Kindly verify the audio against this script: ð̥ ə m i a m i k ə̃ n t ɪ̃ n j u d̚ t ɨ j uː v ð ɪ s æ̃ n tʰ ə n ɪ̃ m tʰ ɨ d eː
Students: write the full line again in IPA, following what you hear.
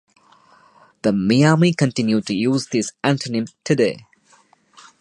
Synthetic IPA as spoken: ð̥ ə m i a m i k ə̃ n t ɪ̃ n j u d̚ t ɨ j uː z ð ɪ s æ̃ n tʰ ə n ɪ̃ m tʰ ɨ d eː